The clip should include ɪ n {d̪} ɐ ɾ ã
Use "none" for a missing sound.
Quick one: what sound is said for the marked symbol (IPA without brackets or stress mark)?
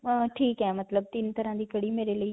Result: t̪